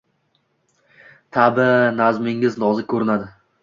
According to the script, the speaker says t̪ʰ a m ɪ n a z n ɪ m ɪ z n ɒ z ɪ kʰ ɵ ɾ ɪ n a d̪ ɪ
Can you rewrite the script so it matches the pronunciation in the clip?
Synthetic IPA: t̪ʰ a b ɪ n a z m ɪ ŋ ɪ z n ɒ z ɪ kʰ ɵ ɾ ɪ n a d̪ ɪ